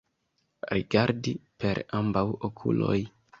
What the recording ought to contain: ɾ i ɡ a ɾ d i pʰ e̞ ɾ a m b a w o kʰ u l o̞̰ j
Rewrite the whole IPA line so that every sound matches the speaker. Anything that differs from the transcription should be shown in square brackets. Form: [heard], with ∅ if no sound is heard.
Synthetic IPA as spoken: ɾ i ɡ a ɾ d i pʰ e̞ ɾ a m b a w o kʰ u l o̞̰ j